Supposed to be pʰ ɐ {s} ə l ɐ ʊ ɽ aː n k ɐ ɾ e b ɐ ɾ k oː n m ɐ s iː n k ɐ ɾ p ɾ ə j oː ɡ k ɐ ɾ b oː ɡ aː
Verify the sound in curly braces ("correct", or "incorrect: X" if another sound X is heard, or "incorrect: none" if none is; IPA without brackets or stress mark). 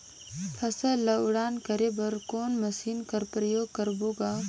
correct